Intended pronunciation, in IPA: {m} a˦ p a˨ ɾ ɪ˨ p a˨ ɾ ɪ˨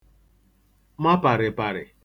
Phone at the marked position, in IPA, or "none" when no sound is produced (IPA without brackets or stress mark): m